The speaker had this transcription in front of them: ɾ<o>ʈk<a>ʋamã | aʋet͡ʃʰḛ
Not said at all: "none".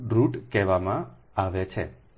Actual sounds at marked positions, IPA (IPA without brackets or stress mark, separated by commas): u, ɛ